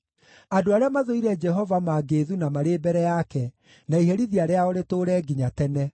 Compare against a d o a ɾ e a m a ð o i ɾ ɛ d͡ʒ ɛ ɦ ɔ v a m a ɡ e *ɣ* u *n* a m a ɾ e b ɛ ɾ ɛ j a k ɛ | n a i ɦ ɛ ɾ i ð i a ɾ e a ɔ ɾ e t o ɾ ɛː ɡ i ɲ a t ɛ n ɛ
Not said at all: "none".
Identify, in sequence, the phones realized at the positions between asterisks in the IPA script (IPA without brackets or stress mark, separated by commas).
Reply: ð, n